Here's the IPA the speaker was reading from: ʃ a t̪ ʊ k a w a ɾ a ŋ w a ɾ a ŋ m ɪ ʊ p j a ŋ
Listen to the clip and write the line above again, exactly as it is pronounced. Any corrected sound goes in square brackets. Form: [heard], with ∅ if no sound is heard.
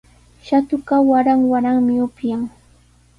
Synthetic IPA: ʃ a t̪ ʊ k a w a ɾ a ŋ w a ɾ a ŋ m ɪ ʊ p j a ŋ

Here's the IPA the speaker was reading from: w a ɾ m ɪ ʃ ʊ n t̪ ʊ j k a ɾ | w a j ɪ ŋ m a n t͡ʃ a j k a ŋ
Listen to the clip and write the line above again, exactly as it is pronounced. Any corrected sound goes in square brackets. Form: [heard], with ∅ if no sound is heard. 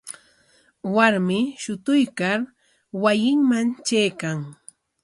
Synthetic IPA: w a ɾ m ɪ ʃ ʊ [∅] t̪ ʊ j k a ɾ | w a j ɪ ŋ m a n t͡ʃ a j k a ŋ

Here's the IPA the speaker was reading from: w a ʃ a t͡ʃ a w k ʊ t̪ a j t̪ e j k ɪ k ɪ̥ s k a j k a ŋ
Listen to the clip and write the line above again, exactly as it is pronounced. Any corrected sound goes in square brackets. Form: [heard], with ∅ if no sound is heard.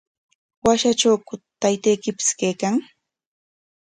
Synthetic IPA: w a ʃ a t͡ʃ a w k ʊ t̪ a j t̪ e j k ɪ [p] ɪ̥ s k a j k a ŋ

